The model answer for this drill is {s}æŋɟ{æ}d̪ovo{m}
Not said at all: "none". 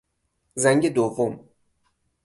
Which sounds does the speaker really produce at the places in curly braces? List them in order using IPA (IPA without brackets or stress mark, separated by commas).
z, e, m